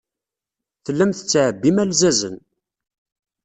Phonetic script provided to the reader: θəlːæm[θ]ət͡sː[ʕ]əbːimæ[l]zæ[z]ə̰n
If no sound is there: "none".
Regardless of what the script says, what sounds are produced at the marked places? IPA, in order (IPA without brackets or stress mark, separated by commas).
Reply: θ, ʕ, l, z